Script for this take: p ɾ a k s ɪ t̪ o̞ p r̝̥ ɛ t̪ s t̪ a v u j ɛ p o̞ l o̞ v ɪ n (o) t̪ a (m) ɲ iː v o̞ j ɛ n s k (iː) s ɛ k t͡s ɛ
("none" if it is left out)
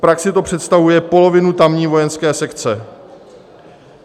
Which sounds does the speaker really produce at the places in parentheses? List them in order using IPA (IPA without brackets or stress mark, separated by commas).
u, m, ɛː